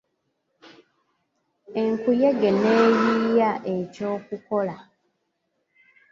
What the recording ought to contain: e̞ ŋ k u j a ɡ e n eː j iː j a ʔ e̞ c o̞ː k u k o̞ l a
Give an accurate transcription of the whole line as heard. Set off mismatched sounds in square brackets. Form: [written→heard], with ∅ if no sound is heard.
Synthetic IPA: e̞ ŋ k u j [a→e] ɡ e n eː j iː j a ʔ e̞ c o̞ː k u k o̞ l a